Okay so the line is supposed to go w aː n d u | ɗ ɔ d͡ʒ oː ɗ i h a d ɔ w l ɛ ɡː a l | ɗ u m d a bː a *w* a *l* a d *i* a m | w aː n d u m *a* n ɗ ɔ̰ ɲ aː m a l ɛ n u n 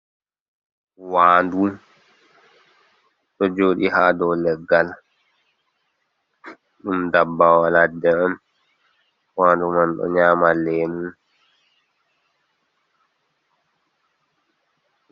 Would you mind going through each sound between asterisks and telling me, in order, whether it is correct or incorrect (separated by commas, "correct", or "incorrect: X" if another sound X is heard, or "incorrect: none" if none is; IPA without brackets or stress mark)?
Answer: correct, correct, incorrect: ɛ, correct